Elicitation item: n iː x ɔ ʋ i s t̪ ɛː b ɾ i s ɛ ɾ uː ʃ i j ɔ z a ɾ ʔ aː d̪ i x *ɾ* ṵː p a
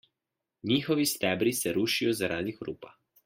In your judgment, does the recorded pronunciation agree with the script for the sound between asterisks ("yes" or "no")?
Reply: yes